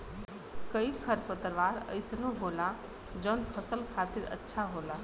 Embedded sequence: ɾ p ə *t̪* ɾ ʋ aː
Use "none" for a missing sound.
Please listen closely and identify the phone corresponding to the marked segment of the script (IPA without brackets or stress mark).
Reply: t̪